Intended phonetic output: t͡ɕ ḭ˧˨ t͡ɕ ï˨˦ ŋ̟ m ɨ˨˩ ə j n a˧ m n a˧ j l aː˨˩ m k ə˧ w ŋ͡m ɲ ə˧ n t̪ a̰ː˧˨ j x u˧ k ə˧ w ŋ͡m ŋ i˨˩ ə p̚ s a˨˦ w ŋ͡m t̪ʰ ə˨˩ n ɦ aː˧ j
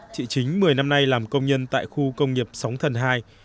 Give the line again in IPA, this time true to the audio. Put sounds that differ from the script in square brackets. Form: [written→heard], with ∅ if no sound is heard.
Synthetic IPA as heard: t͡ɕ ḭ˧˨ t͡ɕ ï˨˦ ŋ̟ m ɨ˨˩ ə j n a˧ m n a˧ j l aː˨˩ m k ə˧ w ŋ͡m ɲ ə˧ n t̪ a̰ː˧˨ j x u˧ k ə˧ w ŋ͡m ŋ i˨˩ ə p̚ s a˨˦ w ŋ͡m t̪ʰ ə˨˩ n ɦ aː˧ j